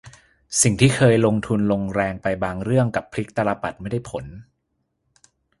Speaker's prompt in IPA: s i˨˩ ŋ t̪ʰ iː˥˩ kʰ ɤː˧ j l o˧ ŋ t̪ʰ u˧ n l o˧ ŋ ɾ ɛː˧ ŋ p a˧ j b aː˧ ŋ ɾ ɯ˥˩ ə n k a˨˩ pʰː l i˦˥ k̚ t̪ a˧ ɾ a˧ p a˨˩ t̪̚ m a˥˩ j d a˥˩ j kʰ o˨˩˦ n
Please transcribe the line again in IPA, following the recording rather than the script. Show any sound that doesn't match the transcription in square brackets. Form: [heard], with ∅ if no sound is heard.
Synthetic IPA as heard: s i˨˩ ŋ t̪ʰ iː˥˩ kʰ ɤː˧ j l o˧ ŋ t̪ʰ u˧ n l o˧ ŋ ɾ ɛː˧ ŋ p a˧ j b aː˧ ŋ ɾ ɯ˥˩ ə [ŋ] k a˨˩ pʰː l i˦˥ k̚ t̪ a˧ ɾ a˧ p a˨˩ t̪̚ m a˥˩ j d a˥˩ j [pʰ] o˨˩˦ n